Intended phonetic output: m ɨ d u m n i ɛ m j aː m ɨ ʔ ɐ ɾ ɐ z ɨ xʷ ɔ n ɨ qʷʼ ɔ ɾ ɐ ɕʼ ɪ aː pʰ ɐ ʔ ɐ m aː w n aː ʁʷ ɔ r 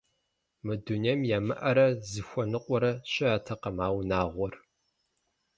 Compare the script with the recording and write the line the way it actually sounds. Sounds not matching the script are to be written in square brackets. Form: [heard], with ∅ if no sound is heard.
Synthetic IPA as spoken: m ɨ d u [∅] n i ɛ m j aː m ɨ ʔ ɐ ɾ ɐ z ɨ xʷ ɔ n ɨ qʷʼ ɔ ɾ ɐ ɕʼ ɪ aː [tʰ] ɐ [q] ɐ m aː w n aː ʁʷ ɔ r